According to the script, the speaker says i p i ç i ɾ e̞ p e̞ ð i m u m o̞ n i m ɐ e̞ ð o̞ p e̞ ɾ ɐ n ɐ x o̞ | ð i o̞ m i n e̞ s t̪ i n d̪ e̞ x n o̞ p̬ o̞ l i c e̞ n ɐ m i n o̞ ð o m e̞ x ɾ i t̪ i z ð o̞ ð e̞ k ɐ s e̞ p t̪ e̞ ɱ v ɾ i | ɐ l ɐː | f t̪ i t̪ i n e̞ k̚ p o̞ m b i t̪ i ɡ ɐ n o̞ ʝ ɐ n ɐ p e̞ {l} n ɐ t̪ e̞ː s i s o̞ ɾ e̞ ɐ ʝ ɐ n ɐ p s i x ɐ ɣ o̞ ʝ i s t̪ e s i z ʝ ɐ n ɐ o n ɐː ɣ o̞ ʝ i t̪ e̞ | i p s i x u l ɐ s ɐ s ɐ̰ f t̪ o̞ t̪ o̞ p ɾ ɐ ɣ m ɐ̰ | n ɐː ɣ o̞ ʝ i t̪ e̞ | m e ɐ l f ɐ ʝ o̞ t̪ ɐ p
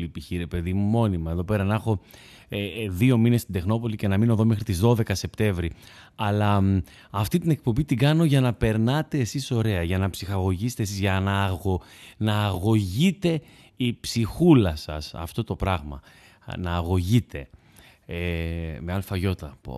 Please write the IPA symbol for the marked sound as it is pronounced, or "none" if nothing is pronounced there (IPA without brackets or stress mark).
ɾ